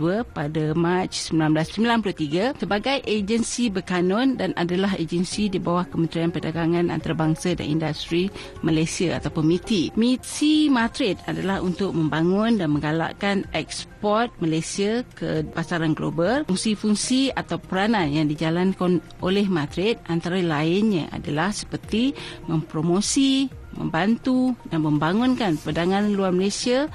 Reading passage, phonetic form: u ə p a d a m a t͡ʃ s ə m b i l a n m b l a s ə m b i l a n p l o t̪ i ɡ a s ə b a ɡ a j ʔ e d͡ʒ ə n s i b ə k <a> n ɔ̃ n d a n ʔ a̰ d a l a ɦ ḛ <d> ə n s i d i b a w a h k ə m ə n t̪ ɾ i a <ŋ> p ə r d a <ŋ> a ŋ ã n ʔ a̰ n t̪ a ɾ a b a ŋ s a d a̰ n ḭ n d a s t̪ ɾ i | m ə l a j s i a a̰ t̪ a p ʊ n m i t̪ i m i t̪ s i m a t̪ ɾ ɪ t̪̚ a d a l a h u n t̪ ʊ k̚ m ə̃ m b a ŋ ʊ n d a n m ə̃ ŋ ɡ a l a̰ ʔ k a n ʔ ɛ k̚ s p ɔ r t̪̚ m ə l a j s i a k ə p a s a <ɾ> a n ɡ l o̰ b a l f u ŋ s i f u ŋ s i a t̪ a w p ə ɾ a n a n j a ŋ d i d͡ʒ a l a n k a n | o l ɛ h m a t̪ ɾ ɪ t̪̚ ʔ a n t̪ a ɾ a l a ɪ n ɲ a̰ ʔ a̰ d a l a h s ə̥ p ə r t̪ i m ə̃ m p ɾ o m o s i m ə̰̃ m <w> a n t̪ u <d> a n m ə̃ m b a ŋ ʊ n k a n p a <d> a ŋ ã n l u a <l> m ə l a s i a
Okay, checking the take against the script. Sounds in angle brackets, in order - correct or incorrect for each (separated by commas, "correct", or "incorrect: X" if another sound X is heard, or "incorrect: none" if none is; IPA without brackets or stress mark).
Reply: correct, incorrect: d͡ʒ, incorrect: n, incorrect: ɡ, correct, incorrect: b, correct, correct, incorrect: r